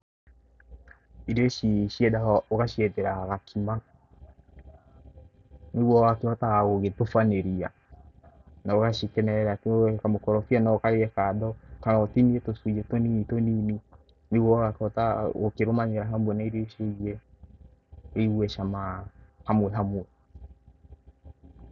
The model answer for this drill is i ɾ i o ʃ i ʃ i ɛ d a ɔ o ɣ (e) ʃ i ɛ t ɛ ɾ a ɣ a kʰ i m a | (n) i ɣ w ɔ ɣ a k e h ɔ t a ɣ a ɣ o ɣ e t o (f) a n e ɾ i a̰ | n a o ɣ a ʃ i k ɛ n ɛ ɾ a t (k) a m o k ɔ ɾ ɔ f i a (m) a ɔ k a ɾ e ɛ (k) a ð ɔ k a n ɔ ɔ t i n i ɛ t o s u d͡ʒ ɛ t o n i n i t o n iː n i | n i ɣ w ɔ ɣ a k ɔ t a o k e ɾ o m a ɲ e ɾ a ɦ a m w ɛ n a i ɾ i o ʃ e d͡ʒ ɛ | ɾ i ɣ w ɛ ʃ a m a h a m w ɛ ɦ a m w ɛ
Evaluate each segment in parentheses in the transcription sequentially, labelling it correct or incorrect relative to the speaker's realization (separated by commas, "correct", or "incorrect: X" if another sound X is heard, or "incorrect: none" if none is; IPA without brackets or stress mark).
incorrect: a, correct, correct, correct, incorrect: n, correct